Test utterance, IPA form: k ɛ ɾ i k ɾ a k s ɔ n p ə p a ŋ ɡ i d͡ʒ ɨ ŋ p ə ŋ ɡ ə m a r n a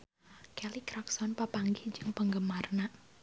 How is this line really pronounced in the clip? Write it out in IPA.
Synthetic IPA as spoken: k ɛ l i k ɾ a k s ɔ n p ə p a ŋ ɡ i d͡ʒ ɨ ŋ p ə ŋ ɡ ə m a r n a